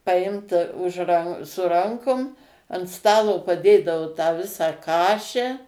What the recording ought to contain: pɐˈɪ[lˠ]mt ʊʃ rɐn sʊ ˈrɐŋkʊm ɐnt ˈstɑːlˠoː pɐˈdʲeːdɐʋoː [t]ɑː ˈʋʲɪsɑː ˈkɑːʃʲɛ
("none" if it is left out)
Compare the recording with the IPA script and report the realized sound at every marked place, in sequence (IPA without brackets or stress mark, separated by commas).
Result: none, t